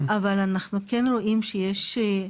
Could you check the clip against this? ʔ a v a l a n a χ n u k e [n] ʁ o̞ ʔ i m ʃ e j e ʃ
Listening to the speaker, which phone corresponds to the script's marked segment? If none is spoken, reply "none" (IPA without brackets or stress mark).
n